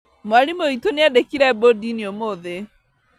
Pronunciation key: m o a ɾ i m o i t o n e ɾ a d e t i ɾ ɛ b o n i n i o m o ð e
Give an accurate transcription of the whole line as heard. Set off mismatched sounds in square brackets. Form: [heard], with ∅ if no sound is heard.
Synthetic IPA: m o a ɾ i m o i t o n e [∅] a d e [k] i ɾ ɛ b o [d] i n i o m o ð e